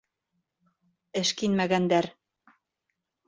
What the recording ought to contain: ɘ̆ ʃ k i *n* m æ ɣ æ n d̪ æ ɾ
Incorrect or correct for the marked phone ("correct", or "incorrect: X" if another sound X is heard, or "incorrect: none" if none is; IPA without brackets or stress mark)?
correct